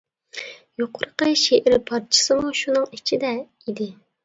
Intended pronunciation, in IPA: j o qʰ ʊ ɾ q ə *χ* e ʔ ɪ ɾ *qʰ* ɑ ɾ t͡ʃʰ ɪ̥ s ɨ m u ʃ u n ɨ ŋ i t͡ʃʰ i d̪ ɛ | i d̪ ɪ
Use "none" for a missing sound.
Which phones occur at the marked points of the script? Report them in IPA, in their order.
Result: ʃ, pʰ

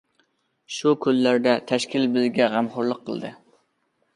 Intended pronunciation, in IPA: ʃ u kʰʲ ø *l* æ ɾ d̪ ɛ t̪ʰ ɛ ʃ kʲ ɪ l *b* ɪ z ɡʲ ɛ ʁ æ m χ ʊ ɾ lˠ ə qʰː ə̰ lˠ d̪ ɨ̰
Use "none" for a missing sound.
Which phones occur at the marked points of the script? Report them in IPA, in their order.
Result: lː, b

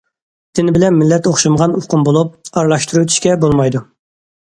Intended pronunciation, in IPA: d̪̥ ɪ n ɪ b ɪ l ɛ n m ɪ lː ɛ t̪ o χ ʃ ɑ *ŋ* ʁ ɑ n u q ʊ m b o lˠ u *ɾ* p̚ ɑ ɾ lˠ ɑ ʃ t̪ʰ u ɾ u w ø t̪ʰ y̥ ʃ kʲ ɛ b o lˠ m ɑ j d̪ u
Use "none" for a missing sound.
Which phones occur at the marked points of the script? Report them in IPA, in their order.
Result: m, none

